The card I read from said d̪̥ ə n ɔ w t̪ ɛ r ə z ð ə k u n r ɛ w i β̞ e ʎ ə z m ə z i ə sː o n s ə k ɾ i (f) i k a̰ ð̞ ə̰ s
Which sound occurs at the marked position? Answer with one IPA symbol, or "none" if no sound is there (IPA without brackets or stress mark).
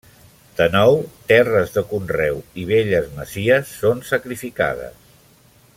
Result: f